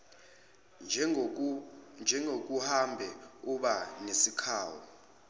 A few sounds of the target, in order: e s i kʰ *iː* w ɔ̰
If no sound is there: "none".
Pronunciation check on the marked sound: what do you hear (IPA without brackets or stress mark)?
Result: aː